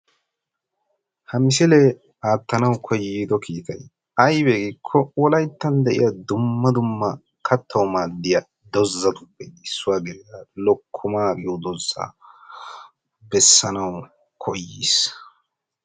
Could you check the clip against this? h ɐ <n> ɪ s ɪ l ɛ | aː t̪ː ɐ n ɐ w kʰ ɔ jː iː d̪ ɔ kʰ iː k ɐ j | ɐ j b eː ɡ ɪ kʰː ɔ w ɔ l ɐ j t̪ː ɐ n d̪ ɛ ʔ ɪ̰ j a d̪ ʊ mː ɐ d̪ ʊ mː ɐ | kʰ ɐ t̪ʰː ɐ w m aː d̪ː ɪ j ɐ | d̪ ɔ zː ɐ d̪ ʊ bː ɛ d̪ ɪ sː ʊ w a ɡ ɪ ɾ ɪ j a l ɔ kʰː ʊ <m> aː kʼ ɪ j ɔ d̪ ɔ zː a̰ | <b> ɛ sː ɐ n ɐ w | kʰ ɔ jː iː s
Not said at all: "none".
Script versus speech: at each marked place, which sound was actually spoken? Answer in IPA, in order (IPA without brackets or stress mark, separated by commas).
m, m, b